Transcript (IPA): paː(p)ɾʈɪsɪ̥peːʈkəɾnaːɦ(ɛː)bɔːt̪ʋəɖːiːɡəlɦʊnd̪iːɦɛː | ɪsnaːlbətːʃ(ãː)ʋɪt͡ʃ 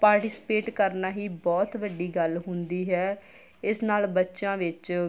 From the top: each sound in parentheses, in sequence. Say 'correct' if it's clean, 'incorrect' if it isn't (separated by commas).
incorrect, incorrect, correct